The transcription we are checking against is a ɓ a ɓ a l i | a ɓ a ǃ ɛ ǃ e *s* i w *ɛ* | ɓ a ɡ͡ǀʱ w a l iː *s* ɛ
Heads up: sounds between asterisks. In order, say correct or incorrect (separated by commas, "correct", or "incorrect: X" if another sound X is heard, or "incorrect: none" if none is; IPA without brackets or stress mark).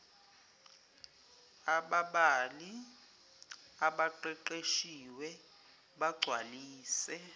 incorrect: ʃ, correct, correct